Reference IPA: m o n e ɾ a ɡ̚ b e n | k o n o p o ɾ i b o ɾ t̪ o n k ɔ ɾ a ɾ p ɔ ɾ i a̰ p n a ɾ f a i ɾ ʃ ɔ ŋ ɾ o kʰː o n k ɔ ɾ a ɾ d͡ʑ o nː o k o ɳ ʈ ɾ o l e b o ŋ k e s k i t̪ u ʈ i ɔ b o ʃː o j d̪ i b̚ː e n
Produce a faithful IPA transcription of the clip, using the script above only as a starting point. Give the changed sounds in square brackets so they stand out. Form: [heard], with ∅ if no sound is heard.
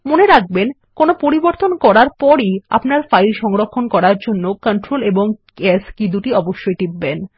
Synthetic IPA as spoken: m o n e ɾ a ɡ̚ b e n | k o n o p o ɾ i b o ɾ t̪ o n k ɔ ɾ a ɾ p ɔ ɾ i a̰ p n a ɾ f a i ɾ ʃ ɔ ŋ ɾ o kʰː o n k ɔ ɾ a ɾ d͡ʑ o nː o k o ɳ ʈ ɾ o l e b o ŋ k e s k i [d̪] u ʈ i ɔ b o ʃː o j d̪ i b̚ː e n